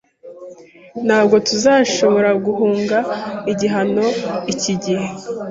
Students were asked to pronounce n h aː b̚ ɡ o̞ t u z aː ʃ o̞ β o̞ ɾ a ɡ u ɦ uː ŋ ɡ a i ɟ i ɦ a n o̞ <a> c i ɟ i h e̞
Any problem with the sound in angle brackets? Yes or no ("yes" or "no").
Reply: yes